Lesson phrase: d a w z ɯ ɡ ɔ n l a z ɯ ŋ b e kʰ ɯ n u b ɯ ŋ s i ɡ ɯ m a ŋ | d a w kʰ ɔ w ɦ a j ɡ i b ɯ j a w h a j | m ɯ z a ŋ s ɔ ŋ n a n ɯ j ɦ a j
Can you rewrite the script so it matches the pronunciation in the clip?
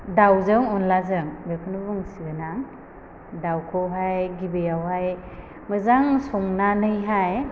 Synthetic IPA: d a w z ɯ ŋ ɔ n l a z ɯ ŋ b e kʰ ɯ n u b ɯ ŋ s i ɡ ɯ n a ŋ | d a w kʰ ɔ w ɦ a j ɡ i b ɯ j a w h a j | m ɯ z a ŋ s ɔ ŋ n a n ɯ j ɦ a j